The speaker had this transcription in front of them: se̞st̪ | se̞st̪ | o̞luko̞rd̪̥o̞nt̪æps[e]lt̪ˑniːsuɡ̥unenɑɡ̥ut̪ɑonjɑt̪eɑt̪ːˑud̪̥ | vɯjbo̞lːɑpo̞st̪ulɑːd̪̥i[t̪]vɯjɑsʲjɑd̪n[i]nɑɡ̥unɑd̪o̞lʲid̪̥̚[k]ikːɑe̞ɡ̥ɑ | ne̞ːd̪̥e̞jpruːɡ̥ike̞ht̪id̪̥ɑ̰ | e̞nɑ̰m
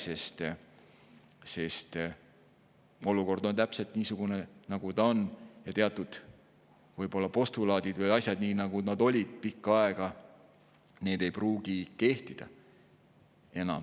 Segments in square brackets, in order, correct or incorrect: correct, incorrect: d̪, incorrect: iː, incorrect: p

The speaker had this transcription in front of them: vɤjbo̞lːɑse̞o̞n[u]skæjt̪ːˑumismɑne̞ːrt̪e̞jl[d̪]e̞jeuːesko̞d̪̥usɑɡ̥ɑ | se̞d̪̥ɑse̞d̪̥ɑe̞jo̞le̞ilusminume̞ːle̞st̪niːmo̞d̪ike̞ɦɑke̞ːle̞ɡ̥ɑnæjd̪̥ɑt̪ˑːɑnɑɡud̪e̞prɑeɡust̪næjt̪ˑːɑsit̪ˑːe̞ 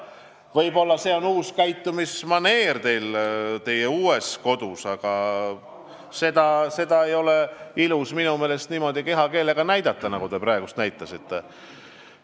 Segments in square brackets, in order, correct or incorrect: incorrect: uː, incorrect: t̪

